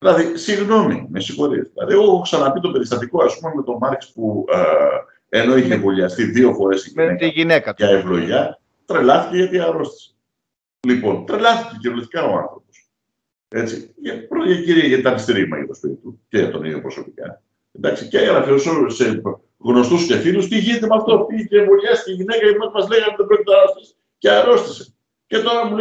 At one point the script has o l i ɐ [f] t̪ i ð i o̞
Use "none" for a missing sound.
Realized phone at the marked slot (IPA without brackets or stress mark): s